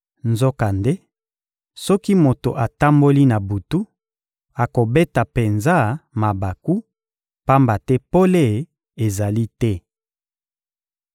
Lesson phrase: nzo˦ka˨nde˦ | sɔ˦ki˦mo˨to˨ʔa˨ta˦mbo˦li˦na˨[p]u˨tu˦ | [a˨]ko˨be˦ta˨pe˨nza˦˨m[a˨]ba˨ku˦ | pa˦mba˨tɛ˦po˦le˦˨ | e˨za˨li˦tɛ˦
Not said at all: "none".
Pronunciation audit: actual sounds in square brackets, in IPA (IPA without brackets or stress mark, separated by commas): b, a˨, a˨